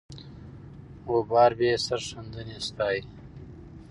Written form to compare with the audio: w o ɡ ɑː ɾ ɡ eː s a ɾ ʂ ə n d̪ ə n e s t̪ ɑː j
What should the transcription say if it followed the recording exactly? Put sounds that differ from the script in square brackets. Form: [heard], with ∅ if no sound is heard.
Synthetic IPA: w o [b] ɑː ɾ [b] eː s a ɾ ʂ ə n d̪ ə n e s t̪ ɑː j